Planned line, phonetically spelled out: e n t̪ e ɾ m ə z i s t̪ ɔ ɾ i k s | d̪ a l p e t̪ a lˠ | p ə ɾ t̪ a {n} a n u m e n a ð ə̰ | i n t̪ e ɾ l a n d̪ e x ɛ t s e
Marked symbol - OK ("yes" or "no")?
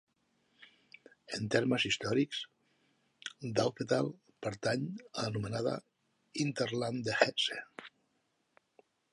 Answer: no